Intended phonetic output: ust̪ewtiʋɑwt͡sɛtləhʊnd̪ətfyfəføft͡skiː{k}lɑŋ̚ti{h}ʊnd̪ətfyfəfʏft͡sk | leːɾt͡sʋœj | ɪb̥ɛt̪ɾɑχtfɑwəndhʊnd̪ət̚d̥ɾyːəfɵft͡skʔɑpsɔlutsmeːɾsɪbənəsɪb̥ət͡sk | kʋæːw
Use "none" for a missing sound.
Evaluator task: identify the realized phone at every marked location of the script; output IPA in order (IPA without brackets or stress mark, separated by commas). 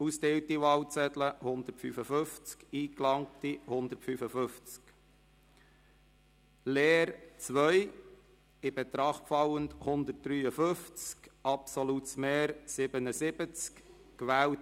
k, h